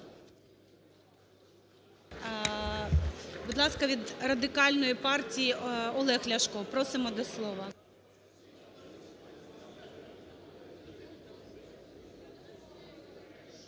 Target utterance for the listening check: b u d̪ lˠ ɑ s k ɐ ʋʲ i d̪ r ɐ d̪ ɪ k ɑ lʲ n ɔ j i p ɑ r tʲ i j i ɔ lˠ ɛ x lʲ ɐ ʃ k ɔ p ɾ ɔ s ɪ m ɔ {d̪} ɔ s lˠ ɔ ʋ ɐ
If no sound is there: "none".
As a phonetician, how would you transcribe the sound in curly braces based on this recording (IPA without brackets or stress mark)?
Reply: d̪